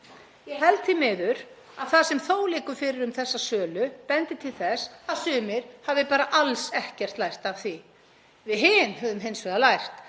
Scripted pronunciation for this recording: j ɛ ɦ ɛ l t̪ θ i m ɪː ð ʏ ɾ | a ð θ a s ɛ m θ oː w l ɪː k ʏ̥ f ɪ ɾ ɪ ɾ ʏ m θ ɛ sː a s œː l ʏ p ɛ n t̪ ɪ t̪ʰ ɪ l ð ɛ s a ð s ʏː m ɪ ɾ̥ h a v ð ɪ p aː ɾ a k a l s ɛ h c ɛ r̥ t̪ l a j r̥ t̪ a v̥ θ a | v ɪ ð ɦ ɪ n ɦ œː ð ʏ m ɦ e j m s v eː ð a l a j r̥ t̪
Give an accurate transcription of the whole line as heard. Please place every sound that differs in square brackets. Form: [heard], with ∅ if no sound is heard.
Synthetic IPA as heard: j ɛ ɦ ɛ l t̪ θ i m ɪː ð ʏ ɾ | a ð θ a s ɛ m θ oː w l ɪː k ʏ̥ f ɪ ɾ ɪ ɾ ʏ m θ ɛ sː a s œː l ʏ p ɛ n t̪ ɪ t̪ʰ ɪ l [θ] ɛ s a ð s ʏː m ɪ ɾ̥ h a v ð ɪ p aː ɾ a [ʔ] a l s ɛ h c ɛ r̥ t̪ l a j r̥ t̪ a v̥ θ [i] | v ɪ ð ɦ ɪ n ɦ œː ð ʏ m ɦ e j [n] s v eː ð a l a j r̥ t̪

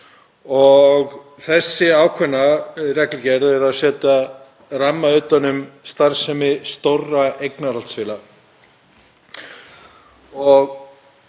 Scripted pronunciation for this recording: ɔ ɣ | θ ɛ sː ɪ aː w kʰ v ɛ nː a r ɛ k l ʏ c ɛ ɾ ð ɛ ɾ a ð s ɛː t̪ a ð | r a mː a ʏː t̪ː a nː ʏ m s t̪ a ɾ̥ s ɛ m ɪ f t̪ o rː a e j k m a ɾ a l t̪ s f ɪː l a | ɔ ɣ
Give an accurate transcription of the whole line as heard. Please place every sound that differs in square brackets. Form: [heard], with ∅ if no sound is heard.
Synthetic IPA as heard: ɔ ɣ | θ ɛ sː ɪ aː w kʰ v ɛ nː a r ɛ k l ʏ c ɛ ɾ ð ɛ ɾ a ð s ɛː t̪ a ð | r a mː a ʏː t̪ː a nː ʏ m s t̪ a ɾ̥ s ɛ m ɪ [s] t̪ o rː a e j k [n] a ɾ a l t̪ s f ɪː l a | ɔ ɣ

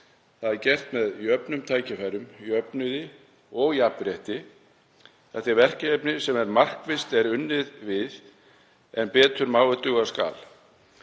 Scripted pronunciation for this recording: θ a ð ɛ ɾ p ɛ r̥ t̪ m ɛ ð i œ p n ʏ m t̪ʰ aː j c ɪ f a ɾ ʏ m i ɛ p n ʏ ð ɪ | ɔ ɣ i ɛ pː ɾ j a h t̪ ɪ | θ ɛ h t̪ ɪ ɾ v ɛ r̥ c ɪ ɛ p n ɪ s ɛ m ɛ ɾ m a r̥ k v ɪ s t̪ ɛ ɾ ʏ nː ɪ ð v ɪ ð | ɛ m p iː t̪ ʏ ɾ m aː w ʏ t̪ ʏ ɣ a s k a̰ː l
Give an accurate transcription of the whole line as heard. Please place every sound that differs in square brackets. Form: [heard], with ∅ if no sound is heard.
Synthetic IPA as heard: θ a ð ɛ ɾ [c] ɛ r̥ t̪ m ɛ ð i œ p n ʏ m t̪ʰ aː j c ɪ f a ɾ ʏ m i [œ] p n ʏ ð ɪ | ɔ ɣ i [a] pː ɾ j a h t̪ ɪ | θ ɛ h t̪ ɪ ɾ v ɛ r̥ c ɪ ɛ p n ɪ s ɛ m ɛ ɾ m a r̥ k v ɪ s t̪ ɛ ɾ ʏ nː ɪ ð v ɪ ð | ɛ [n] p [ɛː] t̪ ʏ ɾ m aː w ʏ t̪ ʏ ɣ a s k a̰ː l

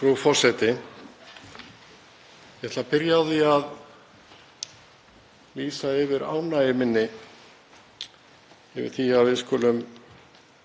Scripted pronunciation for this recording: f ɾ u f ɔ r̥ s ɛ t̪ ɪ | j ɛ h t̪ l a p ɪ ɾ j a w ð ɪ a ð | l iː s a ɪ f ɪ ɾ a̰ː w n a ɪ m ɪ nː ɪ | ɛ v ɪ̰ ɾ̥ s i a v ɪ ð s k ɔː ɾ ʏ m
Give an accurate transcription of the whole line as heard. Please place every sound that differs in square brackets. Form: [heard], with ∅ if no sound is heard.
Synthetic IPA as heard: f ɾ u f ɔ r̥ s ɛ t̪ ɪ | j ɛ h t̪ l a p ɪ ɾ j a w ð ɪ a ð | l iː s a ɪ [v] ɪ ɾ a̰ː w n a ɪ m ɪ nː ɪ | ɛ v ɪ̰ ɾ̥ [θ] i a v ɪ ð s k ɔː [l] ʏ m

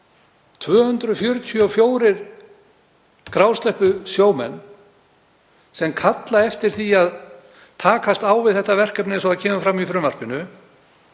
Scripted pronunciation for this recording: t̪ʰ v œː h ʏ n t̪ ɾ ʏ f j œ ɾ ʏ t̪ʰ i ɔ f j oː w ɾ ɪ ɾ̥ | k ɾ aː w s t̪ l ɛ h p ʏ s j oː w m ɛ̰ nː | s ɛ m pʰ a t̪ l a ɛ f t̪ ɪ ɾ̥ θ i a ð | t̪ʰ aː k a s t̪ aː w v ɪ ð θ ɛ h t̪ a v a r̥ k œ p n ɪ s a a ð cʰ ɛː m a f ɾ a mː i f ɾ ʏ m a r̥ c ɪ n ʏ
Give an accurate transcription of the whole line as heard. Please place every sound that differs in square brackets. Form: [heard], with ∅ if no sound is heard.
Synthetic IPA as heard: t̪ʰ v œː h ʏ n t̪ ɾ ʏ f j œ ɾ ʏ t̪ʰ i ɔ f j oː w ɾ ɪ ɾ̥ | k ɾ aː w s t̪ l ɛ h p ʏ s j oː w m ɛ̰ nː | s ɛ m [kʰ] a t̪ l a ɛ f t̪ ɪ ɾ̥ θ i a ð | t̪ʰ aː k a s t̪ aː w v ɪ ð θ ɛ h t̪ a v [ɛ] r̥ k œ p n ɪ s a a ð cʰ ɛː m a f ɾ a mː i f ɾ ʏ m a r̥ [p] ɪ n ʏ

